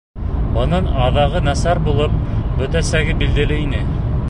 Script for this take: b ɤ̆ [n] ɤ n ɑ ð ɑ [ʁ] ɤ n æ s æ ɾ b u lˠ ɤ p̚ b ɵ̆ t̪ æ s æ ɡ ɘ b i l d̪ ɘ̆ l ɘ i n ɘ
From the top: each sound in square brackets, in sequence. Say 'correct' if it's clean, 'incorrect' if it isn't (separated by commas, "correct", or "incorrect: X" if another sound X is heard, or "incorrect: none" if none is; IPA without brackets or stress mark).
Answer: correct, correct